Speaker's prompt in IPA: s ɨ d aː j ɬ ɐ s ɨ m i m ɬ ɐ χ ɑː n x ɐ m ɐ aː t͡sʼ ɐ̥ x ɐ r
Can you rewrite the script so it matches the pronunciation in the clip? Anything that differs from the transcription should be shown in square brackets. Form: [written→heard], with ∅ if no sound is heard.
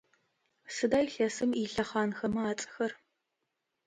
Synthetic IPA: s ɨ d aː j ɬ ɐ s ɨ m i [m→∅] ɬ ɐ χ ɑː n x ɐ m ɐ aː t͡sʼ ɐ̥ x ɐ r